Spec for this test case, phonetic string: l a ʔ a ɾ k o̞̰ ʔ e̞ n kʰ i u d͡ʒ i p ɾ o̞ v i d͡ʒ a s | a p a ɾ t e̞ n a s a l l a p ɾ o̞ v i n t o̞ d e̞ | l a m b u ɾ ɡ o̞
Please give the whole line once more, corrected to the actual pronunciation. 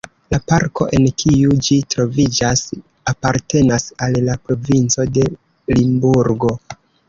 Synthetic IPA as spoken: l a p a ɾ k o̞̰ ʔ e̞ n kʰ i u d͡ʒ i t ɾ o̞ v i d͡ʒ a s | a p a ɾ t e̞ n a s a l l a p ɾ o̞ v i n t͡s o̞ d e̞ | l i m b u ɾ ɡ o̞

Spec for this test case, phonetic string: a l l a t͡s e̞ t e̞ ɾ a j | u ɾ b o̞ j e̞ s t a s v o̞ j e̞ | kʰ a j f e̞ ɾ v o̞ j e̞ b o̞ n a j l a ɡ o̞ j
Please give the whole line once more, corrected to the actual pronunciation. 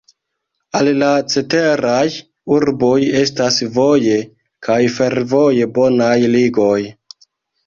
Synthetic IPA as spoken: a l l a t͡s e̞ t e̞ ɾ a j | u ɾ b o̞ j e̞ s t a s v o̞ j e̞ | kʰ a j f e̞ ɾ v o̞ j e̞ b o̞ n a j l i ɡ o̞ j

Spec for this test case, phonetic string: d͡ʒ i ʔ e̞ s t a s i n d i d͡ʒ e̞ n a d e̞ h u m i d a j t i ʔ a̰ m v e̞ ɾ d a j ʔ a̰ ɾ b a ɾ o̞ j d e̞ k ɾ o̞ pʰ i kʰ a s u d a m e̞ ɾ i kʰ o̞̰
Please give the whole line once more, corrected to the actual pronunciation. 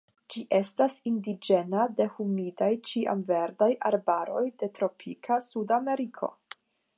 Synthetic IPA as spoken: d͡ʒ i ʔ e̞ s t a s i n d i d͡ʒ e̞ n a d e̞ h u m i d a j t͡ʃ i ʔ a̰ m v e̞ ɾ d a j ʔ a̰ ɾ b a ɾ o̞ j d e̞ t ɾ o̞ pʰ i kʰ a s u d a m e̞ ɾ i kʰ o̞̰

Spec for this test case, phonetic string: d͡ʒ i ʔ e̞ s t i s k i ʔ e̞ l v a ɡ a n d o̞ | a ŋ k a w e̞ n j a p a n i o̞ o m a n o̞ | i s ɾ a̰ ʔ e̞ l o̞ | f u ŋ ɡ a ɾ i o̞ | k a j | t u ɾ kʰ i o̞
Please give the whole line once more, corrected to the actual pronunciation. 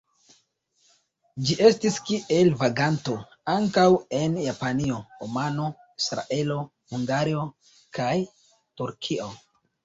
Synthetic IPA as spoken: d͡ʒ i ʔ e̞ s t i s k i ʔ e̞ l v a ɡ a n t o̞ | a ŋ k a w e̞ n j a p a n i o̞ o m a n o̞ | i s ɾ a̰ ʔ e̞ l o̞ | h u ŋ ɡ a ɾ i o̞ | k a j | t u ɾ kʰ i o̞

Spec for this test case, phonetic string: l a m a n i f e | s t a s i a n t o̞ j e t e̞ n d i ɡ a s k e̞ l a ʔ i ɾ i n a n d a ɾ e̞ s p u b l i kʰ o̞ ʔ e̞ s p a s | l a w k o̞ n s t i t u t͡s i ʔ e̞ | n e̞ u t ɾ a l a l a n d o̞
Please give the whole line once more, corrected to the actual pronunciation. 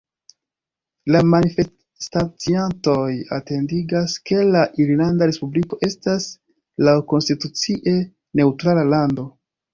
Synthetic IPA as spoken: l a m a n i f e | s t a t͡s i a n t o̞ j a t e̞ n d i ɡ a s k e̞ l a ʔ i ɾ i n a n d a ɾ e̞ s p u b l i k o̞ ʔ e̞ s t a s | l a w k o̞ n s t i t u t͡s i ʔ e̞ | n e̞ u t ɾ a l a l a n d o̞

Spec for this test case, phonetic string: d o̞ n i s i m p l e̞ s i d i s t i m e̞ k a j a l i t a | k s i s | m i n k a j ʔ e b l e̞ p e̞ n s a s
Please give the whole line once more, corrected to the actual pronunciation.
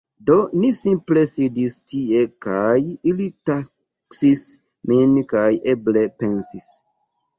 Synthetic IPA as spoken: d o̞ n i s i m p l e̞ s i d i s t i e̞ k a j i l i t a | k s i s | m i n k a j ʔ e b l e̞ p e̞ n s i s

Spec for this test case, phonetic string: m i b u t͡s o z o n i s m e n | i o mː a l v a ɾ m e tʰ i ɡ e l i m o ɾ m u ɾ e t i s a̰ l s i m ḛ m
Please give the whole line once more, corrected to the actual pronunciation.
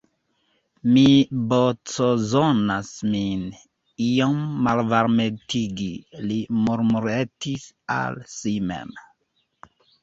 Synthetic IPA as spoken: m i b o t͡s o z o n a s m i n | i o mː a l v a ɾ m e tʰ i ɡ i l i m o ɾ m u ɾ e t i s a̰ l s i m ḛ m

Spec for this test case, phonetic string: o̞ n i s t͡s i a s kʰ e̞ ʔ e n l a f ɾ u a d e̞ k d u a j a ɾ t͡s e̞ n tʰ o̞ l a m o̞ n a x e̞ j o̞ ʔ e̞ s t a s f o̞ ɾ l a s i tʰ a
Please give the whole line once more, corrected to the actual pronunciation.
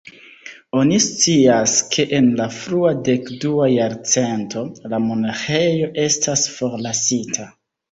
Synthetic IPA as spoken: o̞ n i s t͡s i a s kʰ e̞ ʔ e n l a f ɾ u a d e̞ k d u a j a ɾ t͡s e̞ n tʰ o̞ l a m o̞ n a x e̞ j o̞ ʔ e̞ s t a s f o̞ ɾ l a s i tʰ a

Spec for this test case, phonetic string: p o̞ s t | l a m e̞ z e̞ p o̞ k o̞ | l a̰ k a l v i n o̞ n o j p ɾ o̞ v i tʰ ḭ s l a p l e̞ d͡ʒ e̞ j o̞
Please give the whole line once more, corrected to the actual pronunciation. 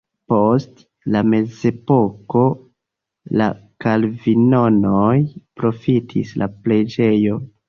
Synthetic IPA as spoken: p o̞ s t | l a m e̞ z e̞ p o̞ k o̞ | l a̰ k a l v i n o̞ n o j p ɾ o̞ f i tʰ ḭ s l a p l e̞ d͡ʒ e̞ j o̞

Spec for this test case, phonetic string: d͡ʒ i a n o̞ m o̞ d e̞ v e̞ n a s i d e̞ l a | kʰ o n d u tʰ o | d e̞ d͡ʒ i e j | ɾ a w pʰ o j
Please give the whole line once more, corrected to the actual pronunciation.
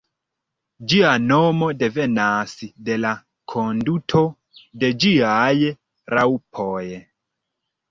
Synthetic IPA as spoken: d͡ʒ i a n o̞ m o̞ d e̞ v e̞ n a s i d e̞ l a | kʰ o n d u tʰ o | d e̞ d͡ʒ i a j | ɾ a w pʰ o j

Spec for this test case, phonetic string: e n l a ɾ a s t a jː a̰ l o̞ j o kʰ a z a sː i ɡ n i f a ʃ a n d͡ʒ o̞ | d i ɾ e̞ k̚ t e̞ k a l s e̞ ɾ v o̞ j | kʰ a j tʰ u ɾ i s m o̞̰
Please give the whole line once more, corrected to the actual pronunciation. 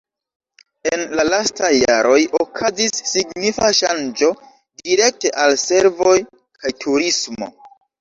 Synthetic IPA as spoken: e n l a l a s t a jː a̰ ɾ o̞ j o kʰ a z i sː i ɡ n i f a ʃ a n d͡ʒ o̞ | d i ɾ e̞ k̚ t e̞ ʔ a l s e̞ ɾ v o̞ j | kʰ a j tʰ u ɾ i s m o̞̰

